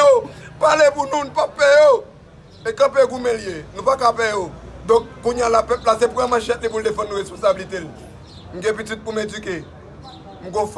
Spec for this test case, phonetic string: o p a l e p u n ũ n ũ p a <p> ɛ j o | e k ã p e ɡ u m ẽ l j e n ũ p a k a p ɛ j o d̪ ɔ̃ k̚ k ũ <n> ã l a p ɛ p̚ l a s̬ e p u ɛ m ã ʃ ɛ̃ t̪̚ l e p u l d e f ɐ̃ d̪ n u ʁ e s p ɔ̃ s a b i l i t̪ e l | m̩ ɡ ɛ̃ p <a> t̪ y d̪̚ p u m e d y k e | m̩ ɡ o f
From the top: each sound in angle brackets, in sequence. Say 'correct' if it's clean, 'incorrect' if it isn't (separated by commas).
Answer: correct, incorrect, incorrect